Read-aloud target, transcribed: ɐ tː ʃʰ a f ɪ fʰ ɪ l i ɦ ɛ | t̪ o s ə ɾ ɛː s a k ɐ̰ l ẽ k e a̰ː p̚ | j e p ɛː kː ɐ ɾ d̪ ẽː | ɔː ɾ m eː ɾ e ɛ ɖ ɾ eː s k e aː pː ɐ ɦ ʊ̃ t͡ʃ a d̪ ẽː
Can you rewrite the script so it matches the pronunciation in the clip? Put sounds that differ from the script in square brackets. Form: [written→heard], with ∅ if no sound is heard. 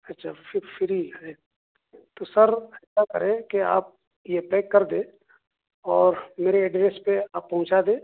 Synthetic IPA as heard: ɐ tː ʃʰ a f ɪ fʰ ɪ [l→ɾ] i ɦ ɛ | t̪ o s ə ɾ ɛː s a k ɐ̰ [l→ɾ] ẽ k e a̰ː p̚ | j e p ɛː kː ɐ ɾ d̪ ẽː | ɔː ɾ m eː ɾ e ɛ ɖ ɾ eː s [k→p] e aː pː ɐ ɦ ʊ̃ t͡ʃ a d̪ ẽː

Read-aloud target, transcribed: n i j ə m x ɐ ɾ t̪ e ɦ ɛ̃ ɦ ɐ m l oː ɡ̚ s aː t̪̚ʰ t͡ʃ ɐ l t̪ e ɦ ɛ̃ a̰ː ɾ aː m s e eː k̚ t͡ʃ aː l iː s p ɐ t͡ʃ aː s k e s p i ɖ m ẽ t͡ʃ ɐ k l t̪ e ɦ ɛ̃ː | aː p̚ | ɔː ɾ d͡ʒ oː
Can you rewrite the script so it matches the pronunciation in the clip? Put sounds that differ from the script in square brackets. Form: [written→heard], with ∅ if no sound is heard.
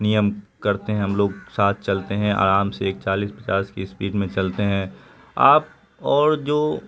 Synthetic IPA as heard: n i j ə m [x→k] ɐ ɾ t̪ e ɦ ɛ̃ ɦ ɐ m l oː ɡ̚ s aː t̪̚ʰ t͡ʃ ɐ l t̪ e ɦ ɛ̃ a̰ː ɾ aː m s e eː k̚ t͡ʃ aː l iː s p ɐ t͡ʃ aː s k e s p [i→iː] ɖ m ẽ t͡ʃ ɐ [k→∅] l t̪ e ɦ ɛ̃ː | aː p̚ | ɔː ɾ d͡ʒ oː

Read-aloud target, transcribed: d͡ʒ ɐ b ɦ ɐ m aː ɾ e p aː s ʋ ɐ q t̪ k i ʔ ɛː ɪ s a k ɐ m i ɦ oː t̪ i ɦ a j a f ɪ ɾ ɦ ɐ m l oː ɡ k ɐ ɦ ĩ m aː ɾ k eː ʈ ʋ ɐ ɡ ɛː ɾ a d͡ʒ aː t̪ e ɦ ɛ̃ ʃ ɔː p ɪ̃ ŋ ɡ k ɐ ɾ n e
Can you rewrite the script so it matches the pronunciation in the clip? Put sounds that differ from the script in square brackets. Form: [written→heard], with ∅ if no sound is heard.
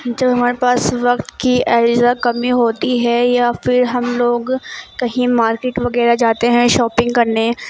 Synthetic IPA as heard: d͡ʒ ɐ b ɦ ɐ m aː ɾ e p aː s ʋ ɐ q t̪ k i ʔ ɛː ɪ [s→z] a k ɐ m i ɦ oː t̪ i ɦ [a→ɛ] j a f ɪ ɾ ɦ ɐ m l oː ɡ k ɐ ɦ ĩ m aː ɾ k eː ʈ ʋ ɐ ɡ ɛː ɾ a d͡ʒ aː t̪ e ɦ ɛ̃ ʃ ɔː p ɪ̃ ŋ ɡ k ɐ ɾ n e

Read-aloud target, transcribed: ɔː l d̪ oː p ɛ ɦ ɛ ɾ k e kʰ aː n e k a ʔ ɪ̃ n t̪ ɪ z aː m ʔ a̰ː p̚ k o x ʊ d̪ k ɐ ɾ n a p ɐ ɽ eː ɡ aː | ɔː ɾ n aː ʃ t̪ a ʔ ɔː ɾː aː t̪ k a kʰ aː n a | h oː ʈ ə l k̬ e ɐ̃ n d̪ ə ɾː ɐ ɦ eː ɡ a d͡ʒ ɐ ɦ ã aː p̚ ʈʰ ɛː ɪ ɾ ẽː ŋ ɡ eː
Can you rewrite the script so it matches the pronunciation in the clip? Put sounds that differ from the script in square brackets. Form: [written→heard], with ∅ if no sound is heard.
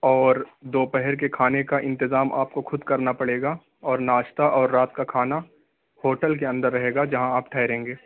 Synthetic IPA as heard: ɔː [l→ɾ] d̪ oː p ɛ ɦ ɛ ɾ k e kʰ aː n e k a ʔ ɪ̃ n t̪ ɪ z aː m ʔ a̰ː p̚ k o x ʊ d̪ k ɐ ɾ n a p ɐ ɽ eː ɡ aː | ɔː ɾ n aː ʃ t̪ a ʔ ɔː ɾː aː t̪ k a kʰ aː n a | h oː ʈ ə l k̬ e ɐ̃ n d̪ ə ɾː ɐ ɦ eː ɡ a d͡ʒ ɐ ɦ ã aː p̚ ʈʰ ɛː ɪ ɾ ẽː ŋ ɡ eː

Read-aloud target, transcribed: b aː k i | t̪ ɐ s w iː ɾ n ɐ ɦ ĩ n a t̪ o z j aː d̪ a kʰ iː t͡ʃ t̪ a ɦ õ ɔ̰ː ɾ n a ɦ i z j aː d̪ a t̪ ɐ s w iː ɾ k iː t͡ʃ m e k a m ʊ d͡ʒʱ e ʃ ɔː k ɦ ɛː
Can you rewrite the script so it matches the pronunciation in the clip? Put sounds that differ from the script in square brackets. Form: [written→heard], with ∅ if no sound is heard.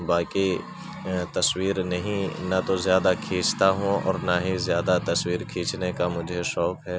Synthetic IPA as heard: b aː k i | t̪ ɐ s w iː ɾ n ɐ ɦ ĩ n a t̪ o z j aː d̪ a kʰ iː t͡ʃ t̪ a ɦ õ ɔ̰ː ɾ n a ɦ i z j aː d̪ a t̪ ɐ s w iː ɾ [k→kʰ] iː t͡ʃ [m→n] e k a m ʊ d͡ʒʱ e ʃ ɔː k ɦ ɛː

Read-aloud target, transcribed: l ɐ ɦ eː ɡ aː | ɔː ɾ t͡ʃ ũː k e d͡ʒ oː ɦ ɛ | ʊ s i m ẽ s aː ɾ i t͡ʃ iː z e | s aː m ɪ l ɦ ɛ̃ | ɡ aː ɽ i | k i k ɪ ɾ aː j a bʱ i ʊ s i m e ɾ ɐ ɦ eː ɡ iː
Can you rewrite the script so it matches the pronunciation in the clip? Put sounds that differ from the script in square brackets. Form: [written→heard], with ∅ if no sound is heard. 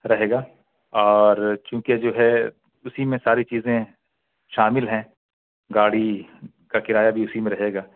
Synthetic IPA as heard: [l→ɾ] ɐ ɦ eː ɡ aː | ɔː ɾ t͡ʃ ũː k e d͡ʒ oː ɦ ɛ | ʊ s i m ẽ s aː ɾ i t͡ʃ iː z [e→ẽ] | [s→ʃ] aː m ɪ l ɦ ɛ̃ | ɡ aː ɽ i | k [i→a] k ɪ ɾ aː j a bʱ i ʊ s i m [e→ẽ] ɾ ɐ ɦ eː ɡ [iː→aː]

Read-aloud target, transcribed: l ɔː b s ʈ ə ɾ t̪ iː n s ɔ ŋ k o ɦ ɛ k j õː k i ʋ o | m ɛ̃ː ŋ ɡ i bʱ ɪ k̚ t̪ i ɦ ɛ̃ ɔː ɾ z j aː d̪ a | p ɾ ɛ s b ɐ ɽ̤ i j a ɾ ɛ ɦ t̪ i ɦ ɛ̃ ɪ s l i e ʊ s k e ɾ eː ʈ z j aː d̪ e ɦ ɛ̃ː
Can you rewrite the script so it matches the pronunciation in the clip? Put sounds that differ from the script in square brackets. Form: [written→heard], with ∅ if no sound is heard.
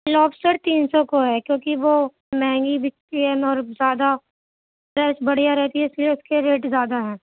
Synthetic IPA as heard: l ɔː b s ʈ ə ɾ t̪ iː n s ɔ [ŋ→∅] k o ɦ ɛ k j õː k i ʋ o | m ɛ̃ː ŋ ɡ i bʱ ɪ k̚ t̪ i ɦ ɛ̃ ɔː ɾ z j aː d̪ a | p ɾ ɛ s b ɐ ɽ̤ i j a ɾ ɛ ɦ t̪ i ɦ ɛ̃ ɪ s l i e ʊ s k e ɾ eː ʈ z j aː d̪ [e→a] ɦ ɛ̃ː

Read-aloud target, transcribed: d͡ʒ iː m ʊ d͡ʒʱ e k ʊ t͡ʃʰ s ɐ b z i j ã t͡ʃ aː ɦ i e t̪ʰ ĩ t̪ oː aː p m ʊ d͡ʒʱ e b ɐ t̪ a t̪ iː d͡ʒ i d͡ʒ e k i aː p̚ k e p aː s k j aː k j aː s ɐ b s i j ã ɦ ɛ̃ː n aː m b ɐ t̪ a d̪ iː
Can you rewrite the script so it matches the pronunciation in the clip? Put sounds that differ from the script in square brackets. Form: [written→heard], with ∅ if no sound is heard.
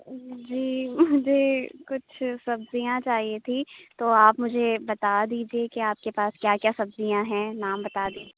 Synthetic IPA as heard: d͡ʒ iː m ʊ d͡ʒʱ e k ʊ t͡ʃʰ s ɐ b z i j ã t͡ʃ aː ɦ i e t̪ʰ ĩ t̪ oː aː p m ʊ d͡ʒʱ e b ɐ t̪ a [t̪→d̪] iː d͡ʒ i [d͡ʒ→∅] e k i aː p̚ k e p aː s k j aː k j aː s ɐ b [s→z] i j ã ɦ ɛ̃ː n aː m b ɐ t̪ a d̪ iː

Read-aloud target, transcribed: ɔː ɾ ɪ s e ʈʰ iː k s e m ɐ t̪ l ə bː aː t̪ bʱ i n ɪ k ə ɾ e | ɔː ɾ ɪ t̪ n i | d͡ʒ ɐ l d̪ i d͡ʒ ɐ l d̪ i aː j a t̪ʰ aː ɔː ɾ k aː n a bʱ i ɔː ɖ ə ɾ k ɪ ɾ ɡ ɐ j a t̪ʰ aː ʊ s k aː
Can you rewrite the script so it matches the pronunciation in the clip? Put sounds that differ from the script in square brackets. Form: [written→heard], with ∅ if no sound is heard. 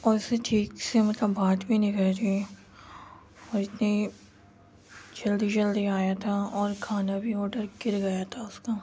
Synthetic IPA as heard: ɔː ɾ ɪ s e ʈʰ iː k s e m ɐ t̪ l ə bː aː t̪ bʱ i n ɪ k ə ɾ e | ɔː ɾ ɪ t̪ n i | d͡ʒ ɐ l d̪ i d͡ʒ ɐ l d̪ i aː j a t̪ʰ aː ɔː ɾ [k→kʰ] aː n a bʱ i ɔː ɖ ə ɾ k ɪ ɾ ɡ ɐ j a t̪ʰ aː ʊ s k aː

